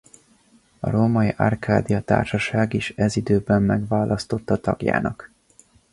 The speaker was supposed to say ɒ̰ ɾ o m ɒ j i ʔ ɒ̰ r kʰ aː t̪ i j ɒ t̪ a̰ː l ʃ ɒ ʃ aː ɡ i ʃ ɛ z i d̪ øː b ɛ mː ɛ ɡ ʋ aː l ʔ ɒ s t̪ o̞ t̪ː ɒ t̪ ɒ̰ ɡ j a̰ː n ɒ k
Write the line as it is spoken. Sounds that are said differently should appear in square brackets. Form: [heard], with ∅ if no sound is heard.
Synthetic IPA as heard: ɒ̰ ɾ o m ɒ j i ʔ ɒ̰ r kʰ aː [d̪] i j ɒ t̪ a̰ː [r] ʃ ɒ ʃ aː ɡ i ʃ ɛ z i d̪ øː b ɛ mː ɛ ɡ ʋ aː l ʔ ɒ s t̪ o̞ t̪ː ɒ t̪ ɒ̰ ɡ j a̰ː n ɒ k